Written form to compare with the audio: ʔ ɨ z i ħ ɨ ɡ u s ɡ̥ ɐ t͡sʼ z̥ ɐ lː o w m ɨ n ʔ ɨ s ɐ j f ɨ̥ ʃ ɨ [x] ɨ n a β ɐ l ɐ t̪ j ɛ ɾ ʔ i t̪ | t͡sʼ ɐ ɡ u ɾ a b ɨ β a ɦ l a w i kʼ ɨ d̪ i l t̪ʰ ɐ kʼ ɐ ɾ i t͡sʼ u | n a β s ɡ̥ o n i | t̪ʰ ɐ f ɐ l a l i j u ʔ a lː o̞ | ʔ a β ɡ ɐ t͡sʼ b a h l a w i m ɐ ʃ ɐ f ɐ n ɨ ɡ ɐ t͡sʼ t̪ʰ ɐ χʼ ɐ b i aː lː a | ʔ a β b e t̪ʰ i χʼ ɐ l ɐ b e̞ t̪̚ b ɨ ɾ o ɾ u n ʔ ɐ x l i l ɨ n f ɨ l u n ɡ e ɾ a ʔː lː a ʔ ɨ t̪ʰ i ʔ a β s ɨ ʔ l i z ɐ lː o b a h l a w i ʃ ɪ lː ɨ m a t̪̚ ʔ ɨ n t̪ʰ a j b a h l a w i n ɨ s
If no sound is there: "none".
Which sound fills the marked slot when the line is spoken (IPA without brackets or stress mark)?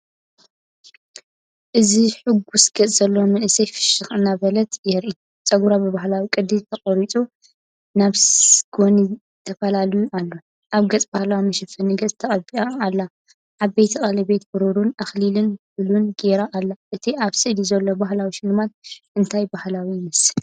x